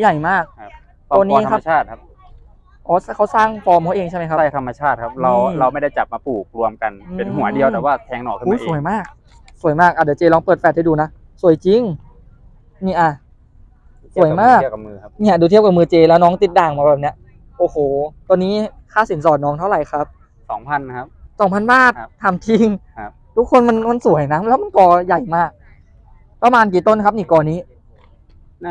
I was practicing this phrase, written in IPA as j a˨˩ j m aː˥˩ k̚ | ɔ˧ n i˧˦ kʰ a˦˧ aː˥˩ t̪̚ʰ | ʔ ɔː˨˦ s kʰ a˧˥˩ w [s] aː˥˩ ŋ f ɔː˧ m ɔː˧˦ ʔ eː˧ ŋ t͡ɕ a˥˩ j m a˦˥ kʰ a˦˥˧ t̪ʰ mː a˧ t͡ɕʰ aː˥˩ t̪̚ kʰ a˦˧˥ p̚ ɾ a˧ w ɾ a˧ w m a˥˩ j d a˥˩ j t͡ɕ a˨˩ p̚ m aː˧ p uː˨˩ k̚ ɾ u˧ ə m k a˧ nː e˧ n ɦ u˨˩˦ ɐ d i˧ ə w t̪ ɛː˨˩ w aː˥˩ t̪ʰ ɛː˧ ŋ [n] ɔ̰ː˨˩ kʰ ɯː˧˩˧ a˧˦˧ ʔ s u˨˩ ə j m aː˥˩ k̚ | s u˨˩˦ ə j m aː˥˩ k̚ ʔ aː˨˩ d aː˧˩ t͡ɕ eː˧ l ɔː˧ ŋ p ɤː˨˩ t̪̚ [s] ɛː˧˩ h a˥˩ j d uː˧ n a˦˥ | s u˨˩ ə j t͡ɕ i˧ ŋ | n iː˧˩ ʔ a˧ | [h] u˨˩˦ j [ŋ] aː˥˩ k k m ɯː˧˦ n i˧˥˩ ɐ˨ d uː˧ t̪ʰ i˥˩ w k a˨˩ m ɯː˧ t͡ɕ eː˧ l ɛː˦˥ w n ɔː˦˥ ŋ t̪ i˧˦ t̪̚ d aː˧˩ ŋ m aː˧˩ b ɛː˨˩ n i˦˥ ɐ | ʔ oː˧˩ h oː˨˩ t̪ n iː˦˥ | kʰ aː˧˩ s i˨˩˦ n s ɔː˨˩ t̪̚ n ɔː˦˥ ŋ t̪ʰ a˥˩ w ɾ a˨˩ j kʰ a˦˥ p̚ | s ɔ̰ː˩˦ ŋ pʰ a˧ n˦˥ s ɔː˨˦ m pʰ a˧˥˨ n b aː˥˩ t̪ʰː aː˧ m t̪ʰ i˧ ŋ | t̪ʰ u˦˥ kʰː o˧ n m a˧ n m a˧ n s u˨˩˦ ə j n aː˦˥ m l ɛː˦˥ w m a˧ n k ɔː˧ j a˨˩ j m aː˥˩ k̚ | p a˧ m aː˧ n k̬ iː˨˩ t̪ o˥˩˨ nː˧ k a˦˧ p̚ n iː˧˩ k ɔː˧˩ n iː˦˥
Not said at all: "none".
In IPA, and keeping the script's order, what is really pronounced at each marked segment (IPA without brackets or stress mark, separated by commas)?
s, n, f, s, m